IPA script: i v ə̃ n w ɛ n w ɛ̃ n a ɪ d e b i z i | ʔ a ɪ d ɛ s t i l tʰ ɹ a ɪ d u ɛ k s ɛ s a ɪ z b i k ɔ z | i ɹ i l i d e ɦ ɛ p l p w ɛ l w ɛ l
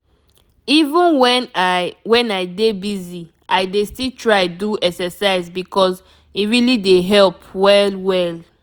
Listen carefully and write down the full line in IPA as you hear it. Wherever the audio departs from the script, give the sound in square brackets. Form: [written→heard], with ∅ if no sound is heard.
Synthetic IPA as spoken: i v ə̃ n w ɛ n w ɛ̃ n a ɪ d e b i z i | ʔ a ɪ d [ɛ→e] s t i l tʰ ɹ a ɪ d u ɛ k s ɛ s a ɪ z b i k ɔ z | i ɹ i l i d e ɦ ɛ [p→∅] l p w ɛ l w ɛ l